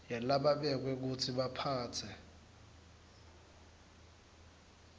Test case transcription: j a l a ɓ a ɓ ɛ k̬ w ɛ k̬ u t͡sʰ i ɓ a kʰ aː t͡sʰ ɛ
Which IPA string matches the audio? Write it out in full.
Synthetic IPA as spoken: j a l a ɓ a ɓ ɛ k̬ w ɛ k̬ u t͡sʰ i ɓ a pʰ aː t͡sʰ ɛ